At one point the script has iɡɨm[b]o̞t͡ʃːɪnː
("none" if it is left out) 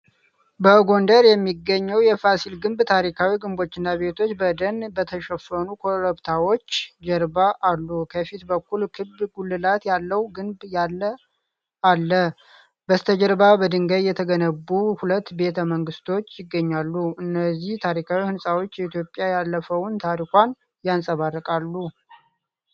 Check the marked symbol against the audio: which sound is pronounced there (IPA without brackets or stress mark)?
b